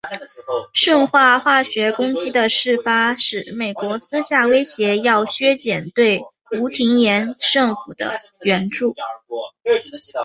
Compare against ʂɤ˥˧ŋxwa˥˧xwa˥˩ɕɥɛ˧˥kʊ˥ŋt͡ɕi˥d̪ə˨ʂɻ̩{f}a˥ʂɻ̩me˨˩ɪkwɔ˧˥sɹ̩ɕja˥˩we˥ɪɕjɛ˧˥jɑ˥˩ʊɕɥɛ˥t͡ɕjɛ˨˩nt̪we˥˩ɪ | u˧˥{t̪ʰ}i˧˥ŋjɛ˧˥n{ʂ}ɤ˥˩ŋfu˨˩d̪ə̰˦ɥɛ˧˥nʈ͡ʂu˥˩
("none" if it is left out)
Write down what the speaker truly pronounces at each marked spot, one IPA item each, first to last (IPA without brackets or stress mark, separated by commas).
f, t̪ʰ, ʂ